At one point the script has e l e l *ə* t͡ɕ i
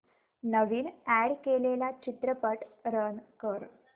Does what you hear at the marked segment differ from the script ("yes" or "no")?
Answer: yes